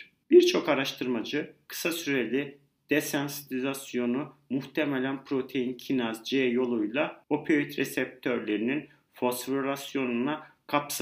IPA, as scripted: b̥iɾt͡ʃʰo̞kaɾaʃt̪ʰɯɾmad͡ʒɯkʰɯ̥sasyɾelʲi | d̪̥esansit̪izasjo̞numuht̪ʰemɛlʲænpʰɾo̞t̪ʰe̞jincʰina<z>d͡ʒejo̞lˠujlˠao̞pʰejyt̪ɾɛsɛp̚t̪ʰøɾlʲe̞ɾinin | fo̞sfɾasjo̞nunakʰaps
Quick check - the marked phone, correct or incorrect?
correct